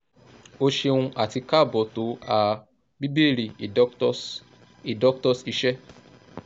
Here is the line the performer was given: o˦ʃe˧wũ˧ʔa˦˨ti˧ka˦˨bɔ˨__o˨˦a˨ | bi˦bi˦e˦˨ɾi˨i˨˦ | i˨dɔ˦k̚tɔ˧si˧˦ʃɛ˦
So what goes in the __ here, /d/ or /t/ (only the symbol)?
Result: t